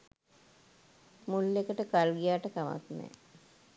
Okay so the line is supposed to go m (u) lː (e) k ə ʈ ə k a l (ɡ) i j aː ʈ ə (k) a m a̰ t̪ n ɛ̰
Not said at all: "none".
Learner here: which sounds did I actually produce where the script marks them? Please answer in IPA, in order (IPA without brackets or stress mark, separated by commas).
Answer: u, e, ɡ, k